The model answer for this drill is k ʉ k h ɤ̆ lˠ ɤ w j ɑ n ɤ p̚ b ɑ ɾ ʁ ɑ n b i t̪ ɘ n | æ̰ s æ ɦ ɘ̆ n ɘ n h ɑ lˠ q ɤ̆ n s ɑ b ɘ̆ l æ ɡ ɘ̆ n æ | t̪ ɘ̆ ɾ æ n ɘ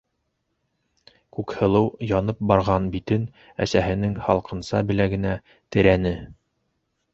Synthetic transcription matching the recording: k ʉ k h ɤ̆ lˠ ɤ w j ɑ n ɤ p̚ b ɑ ɾ ʁ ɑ n b i t̪ ɘ n | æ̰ s æ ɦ ɘ̆ n ɘ ŋ h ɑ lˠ q ɤ̆ n s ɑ b ɘ̆ l æ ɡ ɘ̆ n æ | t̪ ɘ̆ ɾ æ n ɘ

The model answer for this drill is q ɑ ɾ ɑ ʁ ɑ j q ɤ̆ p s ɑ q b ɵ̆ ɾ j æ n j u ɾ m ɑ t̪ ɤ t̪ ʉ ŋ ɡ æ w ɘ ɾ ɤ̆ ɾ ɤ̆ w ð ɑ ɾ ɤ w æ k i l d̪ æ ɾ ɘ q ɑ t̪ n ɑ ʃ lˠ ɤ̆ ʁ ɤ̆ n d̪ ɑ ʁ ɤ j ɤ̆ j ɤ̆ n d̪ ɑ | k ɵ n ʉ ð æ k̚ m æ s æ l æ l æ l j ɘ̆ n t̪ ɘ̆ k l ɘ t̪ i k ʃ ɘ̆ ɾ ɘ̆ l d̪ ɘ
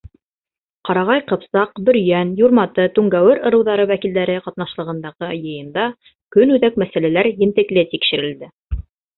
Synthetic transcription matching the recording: q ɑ ɾ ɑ ʁ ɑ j q ɤ̆ p s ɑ q b ɵ̆ ɾ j æ n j u ɾ m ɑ t̪ ɤ t̪ ʉ ŋ ɡ æ w ɘ ɾ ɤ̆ ɾ ɤ̆ w ð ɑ ɾ ɤ w æ k i l d̪ æ ɾ ɘ q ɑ t̪ n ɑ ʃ lˠ ɤ̆ ʁ ɤ̆ n d̪ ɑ ʁ ɤ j ɤ̆ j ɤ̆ n d̪ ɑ | k ɵ n ʉ ð æ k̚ m æ s æ l æ l æ ɾ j ɘ̆ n t̪ ɘ̆ k l ɘ t̪ i k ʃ ɘ̆ ɾ ɘ̆ l d̪ ɘ

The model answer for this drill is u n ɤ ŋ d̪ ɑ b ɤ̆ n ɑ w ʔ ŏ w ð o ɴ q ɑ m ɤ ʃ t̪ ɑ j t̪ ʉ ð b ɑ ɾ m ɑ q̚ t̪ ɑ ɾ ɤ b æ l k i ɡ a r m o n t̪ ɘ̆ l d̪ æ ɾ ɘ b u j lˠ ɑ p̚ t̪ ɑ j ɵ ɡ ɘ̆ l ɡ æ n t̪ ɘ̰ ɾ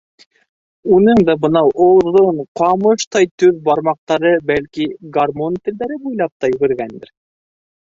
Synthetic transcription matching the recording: u n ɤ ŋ d̪ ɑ b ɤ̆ n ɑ w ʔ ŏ w ð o ɴ q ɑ m ɤ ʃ t̪ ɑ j t̪ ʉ ð b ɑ ɾ m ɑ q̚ t̪ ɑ ɾ ɤ b æ l k i ɡ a r m o n t̪ ɘ̆ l d̪ æ ɾ ɘ b u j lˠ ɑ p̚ t̪ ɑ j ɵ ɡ ɘ̆ ɾ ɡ æ n d̪ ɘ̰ ɾ

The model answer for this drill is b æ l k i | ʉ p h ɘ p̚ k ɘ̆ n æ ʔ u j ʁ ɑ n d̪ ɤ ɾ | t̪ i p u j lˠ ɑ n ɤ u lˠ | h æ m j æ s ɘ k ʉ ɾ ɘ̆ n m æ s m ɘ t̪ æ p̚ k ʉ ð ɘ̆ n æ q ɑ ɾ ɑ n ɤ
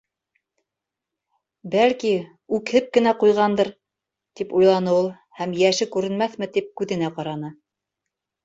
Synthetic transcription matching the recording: b æ l k i | ʉ k h ɘ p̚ k ɘ̆ n æ q u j ʁ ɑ n d̪ ɤ ɾ | t̪ i p u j lˠ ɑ n ɤ u lˠ | h æ m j æ ʃ ɘ k ʉ ɾ ɘ̆ n m æ θ m ɘ t̪ i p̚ k ʉ ð ɘ̆ n æ q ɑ ɾ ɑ n ɤ

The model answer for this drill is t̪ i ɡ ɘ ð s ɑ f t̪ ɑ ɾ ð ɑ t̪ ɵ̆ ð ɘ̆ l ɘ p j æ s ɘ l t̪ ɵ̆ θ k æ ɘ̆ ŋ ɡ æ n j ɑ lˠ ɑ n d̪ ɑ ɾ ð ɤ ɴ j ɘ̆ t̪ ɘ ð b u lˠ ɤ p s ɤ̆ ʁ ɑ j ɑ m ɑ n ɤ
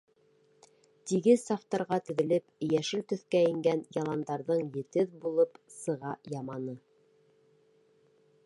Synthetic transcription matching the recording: t̪ i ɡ ɘ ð s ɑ f t̪ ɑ ɾ ʁ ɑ t̪ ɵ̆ ð ɘ̆ l ɘ p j æ ʃ ɘ l t̪ ɵ̆ θ k æ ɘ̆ ŋ ɡ æ n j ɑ lˠ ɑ n d̪ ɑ ɾ ð ɤ ɴ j ɘ̆ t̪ ɘ ð b u lˠ ɤ p s ɤ̆ ʁ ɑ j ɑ m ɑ n ɤ

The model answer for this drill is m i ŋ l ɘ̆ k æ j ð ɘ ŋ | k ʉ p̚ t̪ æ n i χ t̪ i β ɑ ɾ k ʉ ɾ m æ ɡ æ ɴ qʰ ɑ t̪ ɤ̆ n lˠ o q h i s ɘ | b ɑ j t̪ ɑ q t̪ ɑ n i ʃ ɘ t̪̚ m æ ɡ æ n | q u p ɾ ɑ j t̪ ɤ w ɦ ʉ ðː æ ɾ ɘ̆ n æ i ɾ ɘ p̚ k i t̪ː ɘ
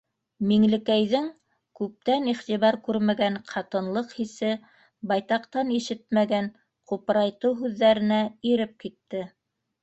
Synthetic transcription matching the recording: m i ŋ l ɘ̆ k æ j ð ɘ ŋ | k ʉ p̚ t̪ æ n i χ t̪ i β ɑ ɾ k ʉ ɾ m æ ɡ æ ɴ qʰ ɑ t̪ ɤ̆ n lˠ ɤ q h i s ɘ | b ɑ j t̪ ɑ q t̪ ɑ n i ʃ ɘ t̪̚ m æ ɡ æ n | q u p ɾ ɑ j t̪ ɤ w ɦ ʉ ðː æ ɾ ɘ̆ n æ i ɾ ɘ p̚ k i t̪ː ɘ

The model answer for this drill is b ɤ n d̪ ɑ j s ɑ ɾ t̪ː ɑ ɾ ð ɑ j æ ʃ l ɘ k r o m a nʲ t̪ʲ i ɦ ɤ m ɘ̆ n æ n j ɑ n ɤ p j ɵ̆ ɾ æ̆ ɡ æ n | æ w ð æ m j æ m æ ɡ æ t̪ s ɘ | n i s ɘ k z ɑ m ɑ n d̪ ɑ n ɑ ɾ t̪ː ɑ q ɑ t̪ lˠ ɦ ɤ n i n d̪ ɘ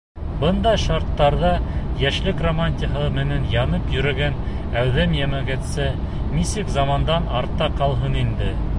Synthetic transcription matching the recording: b ɤ n d̪ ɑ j ʃ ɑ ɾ t̪ː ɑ ɾ ð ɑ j æ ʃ l ɘ k r o m a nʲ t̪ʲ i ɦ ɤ m ɘ̆ n æ n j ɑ n ɤ p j ɵ̆ ɾ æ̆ ɡ æ n | æ w ð æ m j æ m æ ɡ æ t̪ s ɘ | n i s ɘ k z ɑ m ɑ n d̪ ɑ n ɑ ɾ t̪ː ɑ q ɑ lˠ ɦ ɤ n i n d̪ ɘ

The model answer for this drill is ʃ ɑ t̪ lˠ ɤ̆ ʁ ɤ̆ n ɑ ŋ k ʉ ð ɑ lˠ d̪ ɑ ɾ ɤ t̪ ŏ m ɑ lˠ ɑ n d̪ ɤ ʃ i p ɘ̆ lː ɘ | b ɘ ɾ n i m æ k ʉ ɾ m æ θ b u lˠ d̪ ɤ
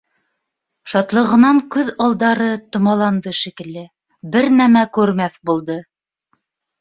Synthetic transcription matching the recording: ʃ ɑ t̪ lˠ ɤ̆ ʁ ɤ̆ n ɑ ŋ k ʉ ð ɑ lˠ d̪ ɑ ɾ ɤ t̪ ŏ m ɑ lˠ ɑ n d̪ ɤ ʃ i k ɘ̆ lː ɘ | b ɘ ɾ n æ m æ k ʉ ɾ m æ θ b u lˠ d̪ ɤ

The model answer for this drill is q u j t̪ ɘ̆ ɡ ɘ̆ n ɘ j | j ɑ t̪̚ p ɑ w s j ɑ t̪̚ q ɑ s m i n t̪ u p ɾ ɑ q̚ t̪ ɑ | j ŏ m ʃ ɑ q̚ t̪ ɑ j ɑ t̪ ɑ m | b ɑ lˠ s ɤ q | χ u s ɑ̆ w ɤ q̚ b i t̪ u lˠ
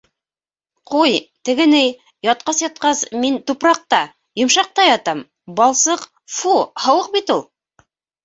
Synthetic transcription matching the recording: q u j t̪ ɘ̆ ɡ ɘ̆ n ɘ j | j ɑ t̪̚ q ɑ s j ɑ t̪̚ q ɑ s m i n t̪ u p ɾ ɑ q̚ t̪ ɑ | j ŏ m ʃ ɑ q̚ t̪ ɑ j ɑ t̪ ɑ m | b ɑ lˠ s ɤ q | f u h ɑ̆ w ɤ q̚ b i t̪ u lˠ

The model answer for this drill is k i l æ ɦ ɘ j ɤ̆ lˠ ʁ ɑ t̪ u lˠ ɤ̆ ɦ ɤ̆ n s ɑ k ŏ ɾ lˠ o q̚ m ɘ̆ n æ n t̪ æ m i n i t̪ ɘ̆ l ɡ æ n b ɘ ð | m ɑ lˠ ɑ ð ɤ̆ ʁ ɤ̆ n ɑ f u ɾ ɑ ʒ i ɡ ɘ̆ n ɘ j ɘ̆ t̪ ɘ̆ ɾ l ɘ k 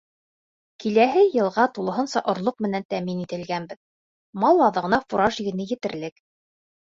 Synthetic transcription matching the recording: k i l æ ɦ ɘ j ɤ̆ lˠ ʁ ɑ t̪ u lˠ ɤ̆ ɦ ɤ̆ n s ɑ ʔ ŏ ɾ lˠ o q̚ m ɘ̆ n æ n t̪ æ m i n i t̪ ɘ̆ l ɡ æ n b ɘ ð | m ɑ lˠ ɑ ð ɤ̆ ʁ ɤ̆ n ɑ f u ɾ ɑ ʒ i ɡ ɘ̆ n ɘ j ɘ̆ t̪ ɘ̆ ɾ l ɘ k

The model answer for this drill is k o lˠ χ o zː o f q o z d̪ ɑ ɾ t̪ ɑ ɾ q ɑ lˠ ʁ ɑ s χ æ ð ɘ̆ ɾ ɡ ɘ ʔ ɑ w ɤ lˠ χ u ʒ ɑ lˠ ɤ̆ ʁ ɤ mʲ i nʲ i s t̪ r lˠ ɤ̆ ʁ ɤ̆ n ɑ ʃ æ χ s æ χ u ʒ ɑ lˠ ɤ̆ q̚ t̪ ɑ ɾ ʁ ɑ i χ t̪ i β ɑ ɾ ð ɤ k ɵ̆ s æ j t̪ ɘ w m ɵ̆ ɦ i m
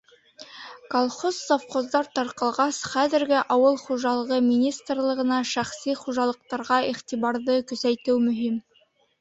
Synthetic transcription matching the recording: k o lˠ χ o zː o f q o z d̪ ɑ ɾ t̪ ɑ ɾ q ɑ lˠ ʁ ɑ s χ æ ð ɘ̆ ɾ ɡ ɘ ʔ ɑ w ɤ lˠ χ u ʒ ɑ lˠ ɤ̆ ʁ ɤ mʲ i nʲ i s t̪ r lˠ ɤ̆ ʁ ɤ̆ n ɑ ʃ æ χ s i χ u ʒ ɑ lˠ ɤ̆ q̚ t̪ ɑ ɾ ʁ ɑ i χ t̪ i β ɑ ɾ ð ɤ k ɵ̆ s æ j t̪ ɘ w m ɵ̆ ɦ i m

